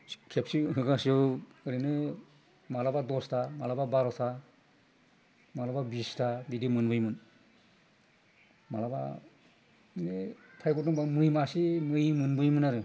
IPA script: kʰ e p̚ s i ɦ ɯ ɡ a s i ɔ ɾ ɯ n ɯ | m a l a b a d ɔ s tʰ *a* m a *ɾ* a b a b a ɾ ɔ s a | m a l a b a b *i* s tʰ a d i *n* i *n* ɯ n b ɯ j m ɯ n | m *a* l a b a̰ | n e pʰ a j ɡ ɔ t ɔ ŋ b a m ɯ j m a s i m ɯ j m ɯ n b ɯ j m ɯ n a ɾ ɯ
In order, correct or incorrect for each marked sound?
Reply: correct, incorrect, correct, incorrect, incorrect, correct

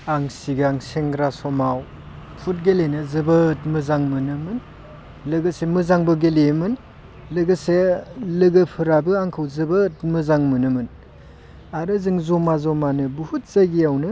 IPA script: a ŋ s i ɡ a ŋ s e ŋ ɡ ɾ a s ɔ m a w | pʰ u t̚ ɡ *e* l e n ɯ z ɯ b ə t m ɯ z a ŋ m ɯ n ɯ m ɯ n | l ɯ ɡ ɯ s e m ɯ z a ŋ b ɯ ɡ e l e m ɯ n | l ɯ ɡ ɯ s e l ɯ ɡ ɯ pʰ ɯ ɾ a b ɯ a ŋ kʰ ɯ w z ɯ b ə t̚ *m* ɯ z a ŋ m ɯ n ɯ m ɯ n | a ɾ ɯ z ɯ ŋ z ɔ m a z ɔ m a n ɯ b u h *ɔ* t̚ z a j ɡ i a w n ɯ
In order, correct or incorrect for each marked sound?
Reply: correct, correct, incorrect

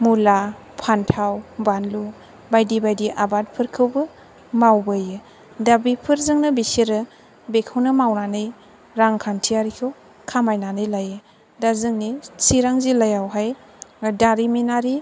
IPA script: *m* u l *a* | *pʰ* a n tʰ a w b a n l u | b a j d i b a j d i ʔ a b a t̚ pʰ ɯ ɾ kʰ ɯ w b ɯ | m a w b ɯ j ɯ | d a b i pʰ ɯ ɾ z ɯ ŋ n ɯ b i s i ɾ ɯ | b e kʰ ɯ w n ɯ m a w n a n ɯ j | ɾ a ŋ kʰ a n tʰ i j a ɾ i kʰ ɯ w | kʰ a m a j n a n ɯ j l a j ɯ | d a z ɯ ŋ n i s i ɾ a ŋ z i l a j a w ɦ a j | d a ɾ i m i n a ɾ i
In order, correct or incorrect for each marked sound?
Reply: correct, correct, correct

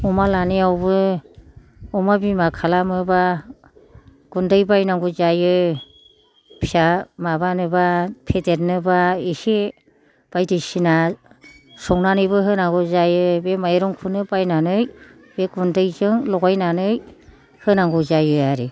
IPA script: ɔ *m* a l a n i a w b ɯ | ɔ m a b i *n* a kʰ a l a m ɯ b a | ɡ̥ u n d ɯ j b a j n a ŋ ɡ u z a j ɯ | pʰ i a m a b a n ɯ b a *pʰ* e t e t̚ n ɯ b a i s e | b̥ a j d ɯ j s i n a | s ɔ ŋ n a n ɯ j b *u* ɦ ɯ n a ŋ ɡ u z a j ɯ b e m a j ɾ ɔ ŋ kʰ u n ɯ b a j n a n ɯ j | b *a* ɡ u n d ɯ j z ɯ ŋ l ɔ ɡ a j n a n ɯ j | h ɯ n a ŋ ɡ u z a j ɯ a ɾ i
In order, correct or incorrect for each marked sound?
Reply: correct, incorrect, correct, incorrect, incorrect

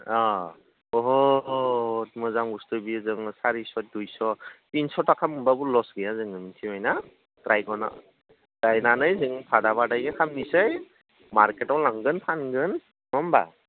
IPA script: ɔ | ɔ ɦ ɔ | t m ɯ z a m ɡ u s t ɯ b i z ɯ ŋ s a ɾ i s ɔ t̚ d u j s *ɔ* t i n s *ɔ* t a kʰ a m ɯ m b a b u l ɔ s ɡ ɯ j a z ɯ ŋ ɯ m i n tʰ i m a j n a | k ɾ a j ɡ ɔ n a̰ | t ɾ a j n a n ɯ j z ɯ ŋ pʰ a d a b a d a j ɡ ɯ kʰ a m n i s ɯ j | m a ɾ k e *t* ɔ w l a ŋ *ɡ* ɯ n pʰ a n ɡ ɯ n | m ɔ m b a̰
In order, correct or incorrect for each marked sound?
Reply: correct, correct, correct, correct

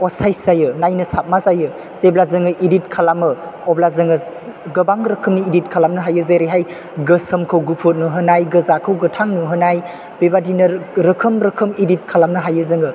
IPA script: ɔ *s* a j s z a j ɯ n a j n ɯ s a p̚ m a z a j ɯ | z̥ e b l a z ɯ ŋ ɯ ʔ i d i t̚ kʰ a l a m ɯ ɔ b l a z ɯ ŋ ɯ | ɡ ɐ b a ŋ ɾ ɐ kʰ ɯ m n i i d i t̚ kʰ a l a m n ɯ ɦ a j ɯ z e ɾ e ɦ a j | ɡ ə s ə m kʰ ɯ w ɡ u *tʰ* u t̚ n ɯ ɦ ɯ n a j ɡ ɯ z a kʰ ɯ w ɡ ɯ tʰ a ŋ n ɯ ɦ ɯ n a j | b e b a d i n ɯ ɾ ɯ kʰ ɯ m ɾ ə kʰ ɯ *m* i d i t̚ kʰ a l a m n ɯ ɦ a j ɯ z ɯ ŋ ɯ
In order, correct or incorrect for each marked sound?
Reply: correct, incorrect, correct

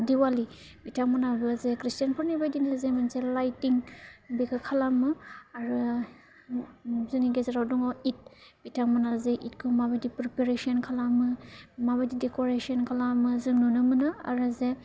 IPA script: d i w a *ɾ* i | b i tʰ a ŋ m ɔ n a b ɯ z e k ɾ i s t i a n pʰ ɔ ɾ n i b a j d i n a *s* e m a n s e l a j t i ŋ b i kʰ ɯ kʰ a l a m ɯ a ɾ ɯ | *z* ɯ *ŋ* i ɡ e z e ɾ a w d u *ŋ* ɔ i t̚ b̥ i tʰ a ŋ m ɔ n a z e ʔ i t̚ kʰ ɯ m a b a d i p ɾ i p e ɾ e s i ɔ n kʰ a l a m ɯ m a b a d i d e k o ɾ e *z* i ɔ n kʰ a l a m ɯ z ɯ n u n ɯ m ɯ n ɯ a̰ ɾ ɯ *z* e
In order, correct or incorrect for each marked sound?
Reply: incorrect, incorrect, correct, incorrect, correct, incorrect, correct

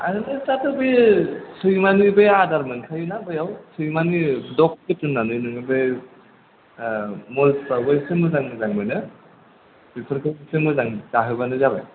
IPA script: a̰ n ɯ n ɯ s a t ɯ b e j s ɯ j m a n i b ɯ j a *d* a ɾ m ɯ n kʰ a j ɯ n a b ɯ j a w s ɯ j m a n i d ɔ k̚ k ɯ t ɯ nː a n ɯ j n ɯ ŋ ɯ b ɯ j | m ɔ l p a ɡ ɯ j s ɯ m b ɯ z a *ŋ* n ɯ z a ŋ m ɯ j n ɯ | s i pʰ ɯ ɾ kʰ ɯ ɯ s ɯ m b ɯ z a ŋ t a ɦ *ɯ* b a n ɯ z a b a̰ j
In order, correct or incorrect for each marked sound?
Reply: correct, correct, correct

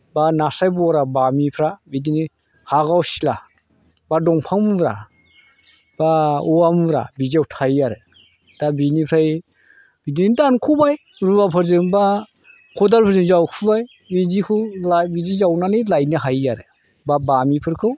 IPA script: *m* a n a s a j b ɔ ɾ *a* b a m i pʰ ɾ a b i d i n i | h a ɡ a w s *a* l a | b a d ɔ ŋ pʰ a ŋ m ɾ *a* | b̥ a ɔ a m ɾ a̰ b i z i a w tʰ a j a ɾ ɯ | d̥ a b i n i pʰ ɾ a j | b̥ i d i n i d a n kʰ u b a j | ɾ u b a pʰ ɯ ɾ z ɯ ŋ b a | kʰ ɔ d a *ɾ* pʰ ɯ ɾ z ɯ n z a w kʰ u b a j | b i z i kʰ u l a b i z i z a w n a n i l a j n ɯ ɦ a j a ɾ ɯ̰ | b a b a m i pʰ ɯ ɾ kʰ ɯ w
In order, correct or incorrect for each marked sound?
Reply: incorrect, correct, incorrect, correct, incorrect

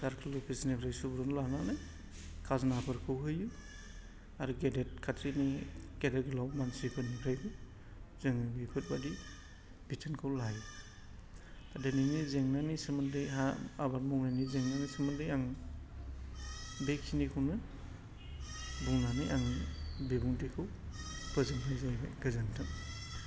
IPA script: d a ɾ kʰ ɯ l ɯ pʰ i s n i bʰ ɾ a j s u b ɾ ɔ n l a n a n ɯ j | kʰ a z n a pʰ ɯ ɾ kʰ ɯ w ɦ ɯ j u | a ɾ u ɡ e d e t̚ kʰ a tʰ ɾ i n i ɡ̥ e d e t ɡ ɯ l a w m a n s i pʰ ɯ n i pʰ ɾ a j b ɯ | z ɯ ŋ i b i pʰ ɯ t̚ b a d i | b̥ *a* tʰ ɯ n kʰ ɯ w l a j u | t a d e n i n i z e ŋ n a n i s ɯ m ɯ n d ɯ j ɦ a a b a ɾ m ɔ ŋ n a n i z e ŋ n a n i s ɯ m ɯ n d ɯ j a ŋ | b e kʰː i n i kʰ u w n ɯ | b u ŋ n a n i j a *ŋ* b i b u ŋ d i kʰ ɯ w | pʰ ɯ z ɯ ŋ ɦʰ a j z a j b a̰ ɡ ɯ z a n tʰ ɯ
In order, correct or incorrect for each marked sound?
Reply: incorrect, correct

